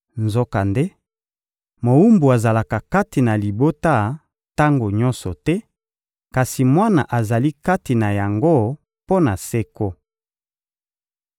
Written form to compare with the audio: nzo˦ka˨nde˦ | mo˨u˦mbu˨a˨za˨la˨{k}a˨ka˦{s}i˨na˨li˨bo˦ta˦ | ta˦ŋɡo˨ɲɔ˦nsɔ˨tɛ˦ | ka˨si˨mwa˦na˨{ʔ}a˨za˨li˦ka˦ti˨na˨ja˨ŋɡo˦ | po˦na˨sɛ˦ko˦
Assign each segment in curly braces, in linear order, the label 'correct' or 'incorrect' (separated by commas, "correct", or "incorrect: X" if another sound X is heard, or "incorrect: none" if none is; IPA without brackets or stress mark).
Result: correct, incorrect: t, correct